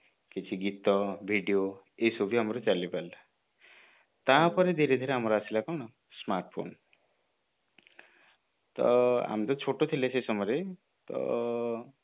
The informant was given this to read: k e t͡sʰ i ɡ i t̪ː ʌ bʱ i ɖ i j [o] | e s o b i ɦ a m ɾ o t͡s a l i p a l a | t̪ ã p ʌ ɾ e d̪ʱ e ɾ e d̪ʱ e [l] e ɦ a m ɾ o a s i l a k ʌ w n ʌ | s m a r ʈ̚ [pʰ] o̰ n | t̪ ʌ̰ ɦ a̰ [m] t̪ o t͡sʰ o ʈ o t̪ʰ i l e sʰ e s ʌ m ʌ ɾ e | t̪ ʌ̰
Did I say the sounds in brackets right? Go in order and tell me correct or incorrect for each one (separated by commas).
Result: correct, incorrect, correct, correct